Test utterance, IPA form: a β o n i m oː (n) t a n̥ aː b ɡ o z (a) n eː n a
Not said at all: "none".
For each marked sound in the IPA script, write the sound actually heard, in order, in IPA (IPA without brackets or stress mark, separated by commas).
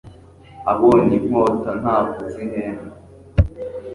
none, i